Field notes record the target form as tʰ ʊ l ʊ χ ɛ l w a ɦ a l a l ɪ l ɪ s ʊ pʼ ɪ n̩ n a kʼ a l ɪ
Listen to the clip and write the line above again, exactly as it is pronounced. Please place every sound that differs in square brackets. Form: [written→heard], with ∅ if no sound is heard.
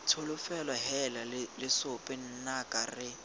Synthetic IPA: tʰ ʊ l ʊ [χ→f] ɛ l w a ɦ [a→ɛ] l a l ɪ l ɪ s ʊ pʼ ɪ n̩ n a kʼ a [l→r] ɪ